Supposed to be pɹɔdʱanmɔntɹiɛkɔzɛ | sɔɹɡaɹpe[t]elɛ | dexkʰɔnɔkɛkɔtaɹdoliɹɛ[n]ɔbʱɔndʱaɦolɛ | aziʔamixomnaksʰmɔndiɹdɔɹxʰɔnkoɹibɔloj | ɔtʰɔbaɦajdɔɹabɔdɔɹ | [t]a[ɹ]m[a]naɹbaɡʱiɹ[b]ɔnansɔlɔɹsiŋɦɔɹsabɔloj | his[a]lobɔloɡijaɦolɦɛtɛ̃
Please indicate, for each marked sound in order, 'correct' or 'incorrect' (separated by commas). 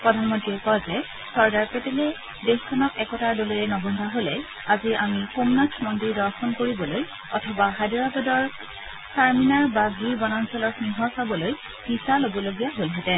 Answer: correct, correct, incorrect, correct, incorrect, correct, correct